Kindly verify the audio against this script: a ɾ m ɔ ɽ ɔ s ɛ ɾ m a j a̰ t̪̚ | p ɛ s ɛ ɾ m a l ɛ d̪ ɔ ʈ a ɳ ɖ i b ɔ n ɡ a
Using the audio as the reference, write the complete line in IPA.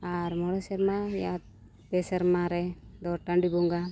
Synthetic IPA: a ɾ m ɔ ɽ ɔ s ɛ ɾ m a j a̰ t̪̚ | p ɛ s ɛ ɾ m a ɾ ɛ d̪ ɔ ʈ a ɳ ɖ i b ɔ ŋ ɡ a